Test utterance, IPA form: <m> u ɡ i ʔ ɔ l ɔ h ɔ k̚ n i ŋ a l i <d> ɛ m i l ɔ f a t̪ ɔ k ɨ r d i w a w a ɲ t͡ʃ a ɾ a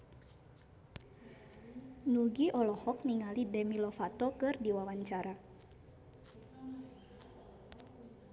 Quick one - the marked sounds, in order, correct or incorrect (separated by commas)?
incorrect, correct